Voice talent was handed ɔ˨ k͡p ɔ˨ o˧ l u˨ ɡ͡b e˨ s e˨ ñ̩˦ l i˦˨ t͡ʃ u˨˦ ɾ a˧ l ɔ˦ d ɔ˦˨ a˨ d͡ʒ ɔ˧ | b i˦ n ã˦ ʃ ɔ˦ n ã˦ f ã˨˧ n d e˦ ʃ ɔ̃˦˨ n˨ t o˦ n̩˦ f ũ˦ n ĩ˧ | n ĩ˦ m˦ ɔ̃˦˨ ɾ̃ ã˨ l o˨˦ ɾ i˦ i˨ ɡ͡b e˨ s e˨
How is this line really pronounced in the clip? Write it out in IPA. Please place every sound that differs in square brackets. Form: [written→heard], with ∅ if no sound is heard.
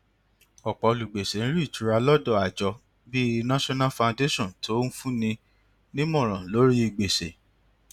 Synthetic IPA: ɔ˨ k͡p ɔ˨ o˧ l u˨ ɡ͡b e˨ s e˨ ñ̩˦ [l→ɾ] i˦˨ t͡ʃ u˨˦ ɾ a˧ l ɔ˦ d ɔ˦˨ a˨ d͡ʒ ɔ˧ | b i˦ n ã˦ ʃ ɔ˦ n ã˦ f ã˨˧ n d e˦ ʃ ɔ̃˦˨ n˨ t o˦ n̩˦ f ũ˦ n ĩ˧ | n ĩ˦ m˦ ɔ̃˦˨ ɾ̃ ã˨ l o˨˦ ɾ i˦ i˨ ɡ͡b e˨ s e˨